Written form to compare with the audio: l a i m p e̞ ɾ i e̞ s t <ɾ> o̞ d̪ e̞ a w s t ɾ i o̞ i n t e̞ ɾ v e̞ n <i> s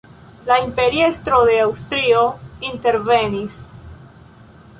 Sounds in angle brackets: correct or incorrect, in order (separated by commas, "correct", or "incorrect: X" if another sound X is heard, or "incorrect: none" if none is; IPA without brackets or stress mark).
correct, correct